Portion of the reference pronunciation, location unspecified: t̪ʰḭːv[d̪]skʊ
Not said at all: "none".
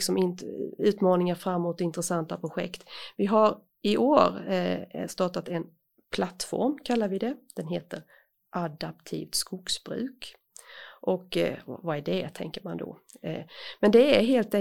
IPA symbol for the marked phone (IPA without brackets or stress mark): t̪